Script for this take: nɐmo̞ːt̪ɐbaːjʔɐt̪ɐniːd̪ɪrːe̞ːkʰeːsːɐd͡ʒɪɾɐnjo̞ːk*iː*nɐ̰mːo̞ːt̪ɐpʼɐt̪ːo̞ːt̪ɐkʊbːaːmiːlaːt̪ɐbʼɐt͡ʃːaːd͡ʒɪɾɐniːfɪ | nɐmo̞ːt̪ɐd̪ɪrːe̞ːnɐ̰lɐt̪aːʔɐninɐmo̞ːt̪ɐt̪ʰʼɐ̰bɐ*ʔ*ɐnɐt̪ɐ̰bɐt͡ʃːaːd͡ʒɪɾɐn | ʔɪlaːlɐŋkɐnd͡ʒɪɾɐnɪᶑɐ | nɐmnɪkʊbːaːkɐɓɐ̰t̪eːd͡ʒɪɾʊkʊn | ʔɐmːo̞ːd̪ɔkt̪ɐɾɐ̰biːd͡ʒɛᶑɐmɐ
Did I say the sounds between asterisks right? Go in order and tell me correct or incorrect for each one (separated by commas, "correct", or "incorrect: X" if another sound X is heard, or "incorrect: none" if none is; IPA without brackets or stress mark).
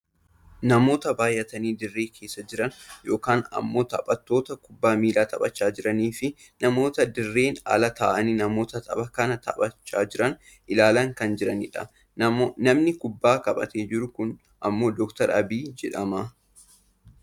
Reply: incorrect: aː, incorrect: k